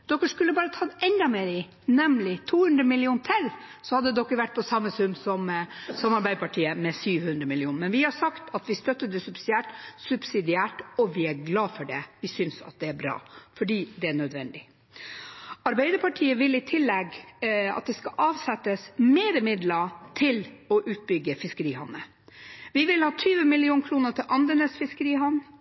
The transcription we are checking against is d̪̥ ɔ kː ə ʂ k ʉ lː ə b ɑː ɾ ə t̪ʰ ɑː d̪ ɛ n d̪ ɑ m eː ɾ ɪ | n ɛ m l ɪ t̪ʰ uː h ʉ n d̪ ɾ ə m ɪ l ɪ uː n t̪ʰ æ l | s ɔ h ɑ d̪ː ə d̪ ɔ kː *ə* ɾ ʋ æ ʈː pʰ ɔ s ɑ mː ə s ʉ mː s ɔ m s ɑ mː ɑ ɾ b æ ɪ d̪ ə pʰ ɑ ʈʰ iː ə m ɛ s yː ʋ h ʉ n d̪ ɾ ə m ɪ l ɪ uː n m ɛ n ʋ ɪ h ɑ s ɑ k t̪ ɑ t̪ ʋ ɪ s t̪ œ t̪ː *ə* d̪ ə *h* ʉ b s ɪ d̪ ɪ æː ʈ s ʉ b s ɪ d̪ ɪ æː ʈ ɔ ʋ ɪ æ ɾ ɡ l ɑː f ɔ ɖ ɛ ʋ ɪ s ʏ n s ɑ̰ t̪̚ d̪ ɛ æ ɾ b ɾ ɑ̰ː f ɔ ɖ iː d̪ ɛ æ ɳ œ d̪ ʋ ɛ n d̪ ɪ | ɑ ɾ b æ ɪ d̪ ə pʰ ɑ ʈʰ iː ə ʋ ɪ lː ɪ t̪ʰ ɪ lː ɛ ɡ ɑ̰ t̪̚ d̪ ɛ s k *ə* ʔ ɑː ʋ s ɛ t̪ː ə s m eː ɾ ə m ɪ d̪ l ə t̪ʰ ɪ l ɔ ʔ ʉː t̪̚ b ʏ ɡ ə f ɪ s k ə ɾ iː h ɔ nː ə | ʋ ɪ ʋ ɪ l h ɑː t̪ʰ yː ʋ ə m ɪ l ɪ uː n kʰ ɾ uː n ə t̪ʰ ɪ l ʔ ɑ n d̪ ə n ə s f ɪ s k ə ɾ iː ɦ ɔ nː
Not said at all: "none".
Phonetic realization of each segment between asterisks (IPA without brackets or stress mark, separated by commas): ə, ə, s, ɑ